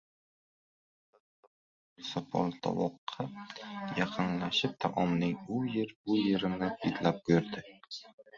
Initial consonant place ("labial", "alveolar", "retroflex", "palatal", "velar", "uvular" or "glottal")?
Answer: alveolar